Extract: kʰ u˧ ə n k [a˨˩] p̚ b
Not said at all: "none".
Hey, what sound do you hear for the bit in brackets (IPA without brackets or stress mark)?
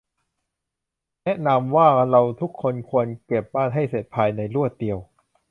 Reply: e˨˩